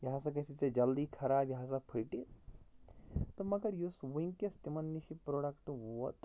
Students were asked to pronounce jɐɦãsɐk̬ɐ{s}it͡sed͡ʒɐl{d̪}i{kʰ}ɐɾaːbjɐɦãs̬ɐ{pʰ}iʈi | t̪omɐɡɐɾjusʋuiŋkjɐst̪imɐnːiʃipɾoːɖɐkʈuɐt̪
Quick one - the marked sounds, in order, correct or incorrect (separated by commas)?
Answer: correct, correct, correct, correct